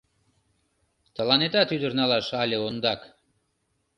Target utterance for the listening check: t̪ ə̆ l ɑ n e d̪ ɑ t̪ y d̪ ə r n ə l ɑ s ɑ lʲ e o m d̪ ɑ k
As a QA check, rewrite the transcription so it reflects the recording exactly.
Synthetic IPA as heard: t̪ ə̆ l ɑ n e t̪ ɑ t̪ y d̪ ə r n ɑ l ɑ ʃ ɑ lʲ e o n d̪ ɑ k